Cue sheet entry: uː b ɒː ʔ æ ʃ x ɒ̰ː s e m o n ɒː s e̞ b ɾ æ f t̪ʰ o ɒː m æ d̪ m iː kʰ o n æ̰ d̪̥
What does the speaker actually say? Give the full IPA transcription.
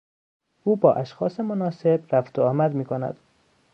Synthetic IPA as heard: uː b ɒː ʔ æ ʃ x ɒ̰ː s e m o n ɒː s e̞ b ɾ æ f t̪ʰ o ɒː m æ d̪ m iː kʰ o n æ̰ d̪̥